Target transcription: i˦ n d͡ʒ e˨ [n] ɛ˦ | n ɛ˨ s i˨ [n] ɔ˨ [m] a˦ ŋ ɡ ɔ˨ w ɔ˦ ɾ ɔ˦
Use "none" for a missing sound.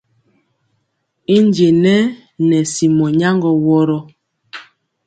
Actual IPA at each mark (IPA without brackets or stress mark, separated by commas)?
n, m, ɲ